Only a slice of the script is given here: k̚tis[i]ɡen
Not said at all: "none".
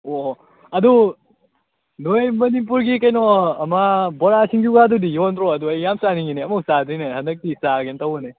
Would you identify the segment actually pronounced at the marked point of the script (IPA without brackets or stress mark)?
a